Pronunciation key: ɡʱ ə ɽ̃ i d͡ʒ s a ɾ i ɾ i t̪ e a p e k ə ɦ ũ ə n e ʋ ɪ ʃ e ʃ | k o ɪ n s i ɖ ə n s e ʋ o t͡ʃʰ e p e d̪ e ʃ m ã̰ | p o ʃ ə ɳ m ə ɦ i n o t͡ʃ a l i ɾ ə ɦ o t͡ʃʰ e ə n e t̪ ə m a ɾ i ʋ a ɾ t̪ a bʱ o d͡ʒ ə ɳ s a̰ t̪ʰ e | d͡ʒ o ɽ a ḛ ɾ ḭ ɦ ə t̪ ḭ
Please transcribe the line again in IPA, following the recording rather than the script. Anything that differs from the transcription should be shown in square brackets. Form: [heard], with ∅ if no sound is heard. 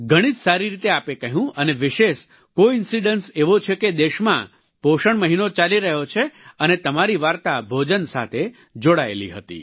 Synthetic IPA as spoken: ɡʱ ə ɽ̃ i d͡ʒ s a ɾ i ɾ i t̪ e a p e k ə ɦ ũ ə n e ʋ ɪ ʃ e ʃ | k o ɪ n s i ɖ ə n s e ʋ o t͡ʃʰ e [k] e d̪ e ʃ m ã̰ | p o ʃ ə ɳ m ə ɦ i n o t͡ʃ a l i ɾ ə ɦ o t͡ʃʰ e ə n e t̪ ə m a ɾ i ʋ a ɾ t̪ a bʱ o d͡ʒ ə [n] s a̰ t̪ʰ e | d͡ʒ o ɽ a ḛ [l] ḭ ɦ ə t̪ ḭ